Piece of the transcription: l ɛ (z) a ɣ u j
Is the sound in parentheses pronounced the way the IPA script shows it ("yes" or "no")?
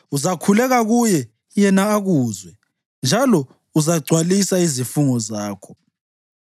no